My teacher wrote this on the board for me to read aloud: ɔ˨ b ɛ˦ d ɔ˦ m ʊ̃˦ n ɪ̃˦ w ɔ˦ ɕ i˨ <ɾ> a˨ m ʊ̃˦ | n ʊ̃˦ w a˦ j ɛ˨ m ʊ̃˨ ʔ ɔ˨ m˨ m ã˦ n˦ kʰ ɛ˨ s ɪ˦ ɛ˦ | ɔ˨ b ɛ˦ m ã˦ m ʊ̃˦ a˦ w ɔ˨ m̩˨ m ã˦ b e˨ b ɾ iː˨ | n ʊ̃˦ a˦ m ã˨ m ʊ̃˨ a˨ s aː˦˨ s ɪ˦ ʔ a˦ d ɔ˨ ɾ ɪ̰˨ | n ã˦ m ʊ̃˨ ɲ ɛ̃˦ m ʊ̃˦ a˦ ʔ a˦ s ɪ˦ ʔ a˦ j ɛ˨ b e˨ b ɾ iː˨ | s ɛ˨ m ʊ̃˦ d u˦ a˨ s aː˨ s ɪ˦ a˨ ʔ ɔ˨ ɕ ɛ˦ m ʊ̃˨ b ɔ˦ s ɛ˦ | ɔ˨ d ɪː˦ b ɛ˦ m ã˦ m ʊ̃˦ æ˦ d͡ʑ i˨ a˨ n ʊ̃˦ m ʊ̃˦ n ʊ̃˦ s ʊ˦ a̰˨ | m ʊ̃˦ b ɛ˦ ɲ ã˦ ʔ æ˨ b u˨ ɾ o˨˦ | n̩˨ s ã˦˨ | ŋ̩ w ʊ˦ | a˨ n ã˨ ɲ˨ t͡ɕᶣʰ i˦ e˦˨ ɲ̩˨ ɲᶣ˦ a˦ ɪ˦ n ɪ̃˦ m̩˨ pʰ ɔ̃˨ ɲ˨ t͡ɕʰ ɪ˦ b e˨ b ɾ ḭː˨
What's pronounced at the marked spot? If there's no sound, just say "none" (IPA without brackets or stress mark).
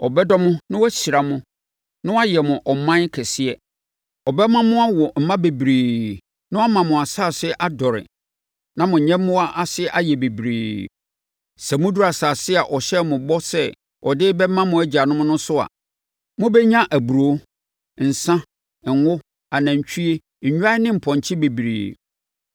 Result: ɾ